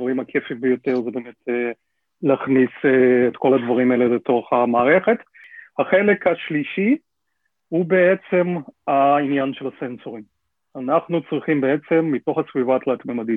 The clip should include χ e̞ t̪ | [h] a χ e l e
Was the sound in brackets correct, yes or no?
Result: yes